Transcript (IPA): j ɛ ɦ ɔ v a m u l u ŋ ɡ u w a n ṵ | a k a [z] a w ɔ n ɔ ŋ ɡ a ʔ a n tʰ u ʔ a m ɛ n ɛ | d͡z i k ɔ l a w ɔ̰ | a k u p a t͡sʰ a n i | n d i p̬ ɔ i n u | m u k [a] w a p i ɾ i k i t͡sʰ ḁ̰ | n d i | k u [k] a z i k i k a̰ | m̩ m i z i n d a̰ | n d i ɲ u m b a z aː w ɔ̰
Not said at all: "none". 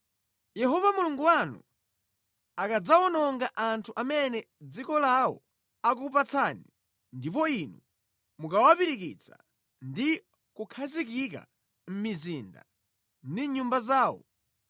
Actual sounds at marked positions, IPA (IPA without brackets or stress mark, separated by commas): d͡z, a, kʰ